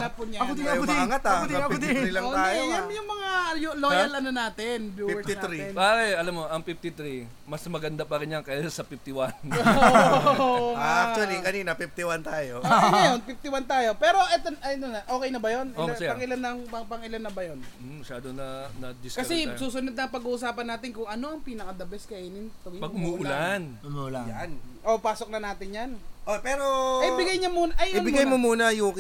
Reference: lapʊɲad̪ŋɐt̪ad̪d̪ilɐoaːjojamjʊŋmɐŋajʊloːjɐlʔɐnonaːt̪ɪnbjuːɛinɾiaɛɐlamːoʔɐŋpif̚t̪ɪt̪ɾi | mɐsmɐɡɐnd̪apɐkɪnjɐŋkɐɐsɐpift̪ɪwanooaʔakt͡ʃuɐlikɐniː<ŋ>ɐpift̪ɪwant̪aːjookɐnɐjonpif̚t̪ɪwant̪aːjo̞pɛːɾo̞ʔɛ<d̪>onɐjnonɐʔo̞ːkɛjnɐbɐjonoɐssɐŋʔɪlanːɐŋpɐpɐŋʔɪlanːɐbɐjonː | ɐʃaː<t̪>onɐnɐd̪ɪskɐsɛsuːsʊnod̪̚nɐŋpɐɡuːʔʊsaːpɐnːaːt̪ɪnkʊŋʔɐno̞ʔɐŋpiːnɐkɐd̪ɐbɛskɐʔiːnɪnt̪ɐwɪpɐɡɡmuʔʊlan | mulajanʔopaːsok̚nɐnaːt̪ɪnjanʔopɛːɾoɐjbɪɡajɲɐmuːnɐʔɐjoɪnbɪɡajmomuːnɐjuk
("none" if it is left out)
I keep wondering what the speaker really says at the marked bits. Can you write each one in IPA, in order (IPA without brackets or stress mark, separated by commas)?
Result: n, t̪, d̪